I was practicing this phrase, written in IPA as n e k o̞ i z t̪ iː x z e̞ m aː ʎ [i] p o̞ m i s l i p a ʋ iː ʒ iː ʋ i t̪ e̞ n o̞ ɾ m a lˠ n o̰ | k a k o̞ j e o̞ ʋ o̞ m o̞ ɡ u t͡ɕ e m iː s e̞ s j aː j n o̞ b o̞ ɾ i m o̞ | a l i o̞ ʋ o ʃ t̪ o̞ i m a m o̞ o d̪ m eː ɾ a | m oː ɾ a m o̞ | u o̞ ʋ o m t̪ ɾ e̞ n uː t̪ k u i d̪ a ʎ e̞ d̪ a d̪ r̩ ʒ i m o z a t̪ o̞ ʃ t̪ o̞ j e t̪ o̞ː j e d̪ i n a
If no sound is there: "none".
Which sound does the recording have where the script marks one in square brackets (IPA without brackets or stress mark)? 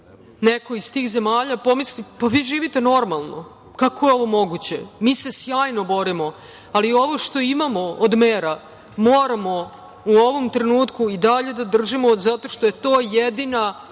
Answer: a